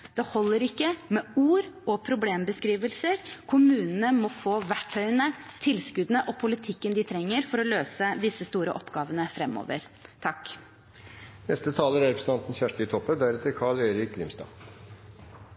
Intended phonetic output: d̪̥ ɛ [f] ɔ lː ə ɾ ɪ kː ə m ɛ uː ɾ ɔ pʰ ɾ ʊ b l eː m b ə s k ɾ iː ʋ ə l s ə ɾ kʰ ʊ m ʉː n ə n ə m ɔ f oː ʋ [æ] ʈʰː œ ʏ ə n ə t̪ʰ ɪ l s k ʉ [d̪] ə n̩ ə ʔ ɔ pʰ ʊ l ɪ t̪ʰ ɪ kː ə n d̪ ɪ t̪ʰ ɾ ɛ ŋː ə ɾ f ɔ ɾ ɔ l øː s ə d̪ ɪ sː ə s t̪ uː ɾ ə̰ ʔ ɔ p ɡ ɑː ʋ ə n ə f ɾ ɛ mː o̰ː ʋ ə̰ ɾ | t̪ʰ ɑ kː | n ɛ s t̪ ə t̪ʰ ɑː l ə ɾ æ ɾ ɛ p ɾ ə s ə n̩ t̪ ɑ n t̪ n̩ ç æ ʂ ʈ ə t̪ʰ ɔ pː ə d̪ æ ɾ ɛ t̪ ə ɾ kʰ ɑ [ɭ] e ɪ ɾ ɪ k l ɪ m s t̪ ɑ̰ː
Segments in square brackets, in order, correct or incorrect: incorrect: h, correct, correct, correct

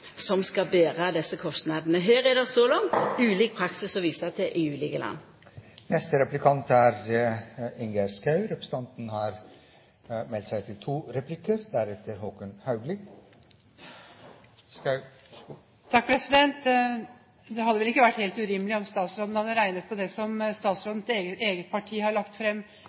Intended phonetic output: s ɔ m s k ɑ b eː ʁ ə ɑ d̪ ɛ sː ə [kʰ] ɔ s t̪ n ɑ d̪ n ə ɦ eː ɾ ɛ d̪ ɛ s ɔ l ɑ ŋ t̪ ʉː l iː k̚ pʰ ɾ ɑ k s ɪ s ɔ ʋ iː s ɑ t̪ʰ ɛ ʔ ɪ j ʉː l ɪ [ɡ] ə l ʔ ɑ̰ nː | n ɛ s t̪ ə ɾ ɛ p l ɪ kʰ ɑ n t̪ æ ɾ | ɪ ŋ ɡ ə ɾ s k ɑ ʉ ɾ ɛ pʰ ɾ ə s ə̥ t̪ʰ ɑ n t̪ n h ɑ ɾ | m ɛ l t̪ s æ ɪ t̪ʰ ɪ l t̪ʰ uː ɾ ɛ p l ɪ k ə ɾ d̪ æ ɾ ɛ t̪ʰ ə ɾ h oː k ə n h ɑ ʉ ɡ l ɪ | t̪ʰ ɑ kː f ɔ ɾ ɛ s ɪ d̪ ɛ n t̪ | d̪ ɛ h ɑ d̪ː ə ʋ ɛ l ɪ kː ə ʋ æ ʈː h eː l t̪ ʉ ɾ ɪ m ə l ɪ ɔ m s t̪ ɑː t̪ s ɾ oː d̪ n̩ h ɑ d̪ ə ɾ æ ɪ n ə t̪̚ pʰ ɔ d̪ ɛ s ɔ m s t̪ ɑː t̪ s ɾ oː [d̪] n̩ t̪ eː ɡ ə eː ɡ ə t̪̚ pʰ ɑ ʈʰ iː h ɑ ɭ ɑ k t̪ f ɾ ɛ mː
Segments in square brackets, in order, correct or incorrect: correct, correct, correct

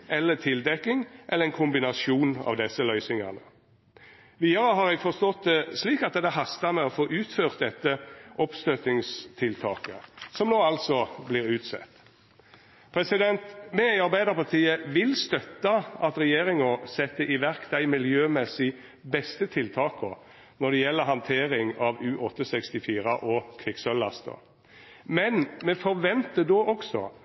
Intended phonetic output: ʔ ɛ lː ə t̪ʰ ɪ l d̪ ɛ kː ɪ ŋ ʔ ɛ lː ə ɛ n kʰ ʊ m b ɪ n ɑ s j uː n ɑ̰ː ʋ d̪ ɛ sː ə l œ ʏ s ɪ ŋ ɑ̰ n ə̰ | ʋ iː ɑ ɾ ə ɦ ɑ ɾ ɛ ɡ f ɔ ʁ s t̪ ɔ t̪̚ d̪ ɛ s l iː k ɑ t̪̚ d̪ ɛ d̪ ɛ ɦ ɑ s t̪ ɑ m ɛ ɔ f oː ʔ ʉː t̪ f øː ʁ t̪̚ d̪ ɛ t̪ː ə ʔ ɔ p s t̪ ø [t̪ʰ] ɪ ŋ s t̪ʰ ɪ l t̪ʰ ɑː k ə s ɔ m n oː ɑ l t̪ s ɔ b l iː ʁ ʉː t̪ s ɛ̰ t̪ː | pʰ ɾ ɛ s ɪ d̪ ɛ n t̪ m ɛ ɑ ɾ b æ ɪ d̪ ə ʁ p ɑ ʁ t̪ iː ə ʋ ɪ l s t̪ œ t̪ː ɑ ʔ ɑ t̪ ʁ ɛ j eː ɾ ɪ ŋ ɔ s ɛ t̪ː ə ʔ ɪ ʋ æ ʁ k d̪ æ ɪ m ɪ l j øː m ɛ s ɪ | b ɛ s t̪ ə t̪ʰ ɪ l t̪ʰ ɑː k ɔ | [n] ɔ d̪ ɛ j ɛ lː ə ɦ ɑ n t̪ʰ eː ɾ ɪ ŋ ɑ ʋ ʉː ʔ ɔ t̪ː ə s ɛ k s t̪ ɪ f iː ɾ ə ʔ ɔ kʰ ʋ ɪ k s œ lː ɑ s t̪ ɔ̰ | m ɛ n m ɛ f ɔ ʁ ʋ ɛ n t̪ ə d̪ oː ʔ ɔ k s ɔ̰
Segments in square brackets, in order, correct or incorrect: incorrect: t̪, correct

